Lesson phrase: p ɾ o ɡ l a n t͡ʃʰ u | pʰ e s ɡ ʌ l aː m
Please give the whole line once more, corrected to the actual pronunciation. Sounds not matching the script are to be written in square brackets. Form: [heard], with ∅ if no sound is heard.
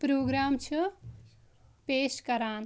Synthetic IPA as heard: p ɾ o ɡ [ɾ] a [m] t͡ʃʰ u | [p] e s [k] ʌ [ɾ] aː [n]

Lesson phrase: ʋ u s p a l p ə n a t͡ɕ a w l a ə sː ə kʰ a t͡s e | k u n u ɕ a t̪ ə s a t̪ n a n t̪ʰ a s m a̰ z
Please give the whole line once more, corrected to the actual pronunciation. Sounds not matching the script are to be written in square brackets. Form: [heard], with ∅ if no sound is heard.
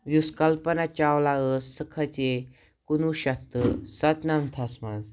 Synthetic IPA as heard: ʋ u s [k] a l p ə n a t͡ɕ a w l a ə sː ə kʰ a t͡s e | k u n u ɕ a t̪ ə s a t̪ n a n t̪ʰ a s m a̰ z

